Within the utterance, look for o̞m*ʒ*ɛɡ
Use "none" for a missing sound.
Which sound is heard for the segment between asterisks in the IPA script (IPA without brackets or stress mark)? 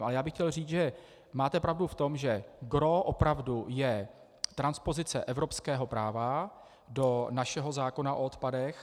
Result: ʒ